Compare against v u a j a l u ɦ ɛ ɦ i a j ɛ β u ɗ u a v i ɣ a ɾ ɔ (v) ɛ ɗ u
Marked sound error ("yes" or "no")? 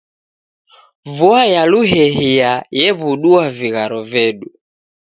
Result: no